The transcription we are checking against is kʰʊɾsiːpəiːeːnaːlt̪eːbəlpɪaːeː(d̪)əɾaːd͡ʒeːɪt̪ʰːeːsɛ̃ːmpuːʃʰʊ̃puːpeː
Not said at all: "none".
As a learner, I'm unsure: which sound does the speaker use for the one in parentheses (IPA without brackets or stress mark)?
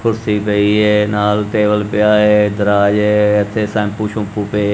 d̪